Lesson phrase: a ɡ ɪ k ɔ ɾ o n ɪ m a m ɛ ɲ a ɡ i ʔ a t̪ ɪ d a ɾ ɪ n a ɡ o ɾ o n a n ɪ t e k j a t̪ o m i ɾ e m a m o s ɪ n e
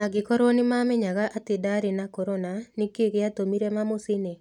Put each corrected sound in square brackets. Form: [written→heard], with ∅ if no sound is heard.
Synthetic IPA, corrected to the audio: a ɡ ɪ k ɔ ɾ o n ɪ m a m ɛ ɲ a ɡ [i→a] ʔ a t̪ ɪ d a ɾ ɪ n a [ɡ→k] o ɾ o n a n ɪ [t→k] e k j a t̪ o m i ɾ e m a m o s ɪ n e